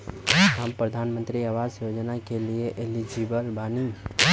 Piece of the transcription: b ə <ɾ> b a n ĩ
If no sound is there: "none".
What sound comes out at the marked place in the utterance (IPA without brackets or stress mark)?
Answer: l